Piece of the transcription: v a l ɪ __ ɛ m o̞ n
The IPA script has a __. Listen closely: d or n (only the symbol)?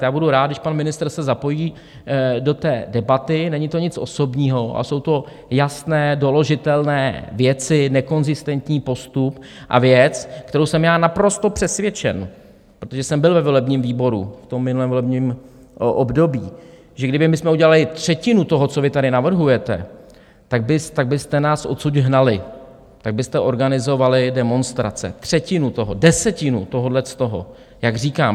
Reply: d